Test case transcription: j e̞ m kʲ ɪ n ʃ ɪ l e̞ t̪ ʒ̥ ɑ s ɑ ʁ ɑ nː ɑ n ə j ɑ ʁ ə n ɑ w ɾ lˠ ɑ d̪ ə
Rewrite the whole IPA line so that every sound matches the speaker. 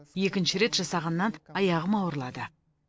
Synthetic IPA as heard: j e̞ kʲ ɪ n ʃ ɪ ɾ e̞ t̪ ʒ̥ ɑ s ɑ ʁ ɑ nː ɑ n ɑ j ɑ ʁ ə m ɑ w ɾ lˠ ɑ d̪ ə